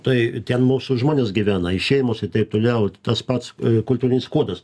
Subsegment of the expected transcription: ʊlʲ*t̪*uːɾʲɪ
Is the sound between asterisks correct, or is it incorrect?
correct